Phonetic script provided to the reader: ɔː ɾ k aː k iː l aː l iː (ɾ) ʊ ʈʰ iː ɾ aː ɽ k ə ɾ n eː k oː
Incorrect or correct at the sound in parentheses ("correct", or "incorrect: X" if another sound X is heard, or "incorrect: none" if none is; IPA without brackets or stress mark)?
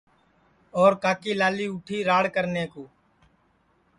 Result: incorrect: none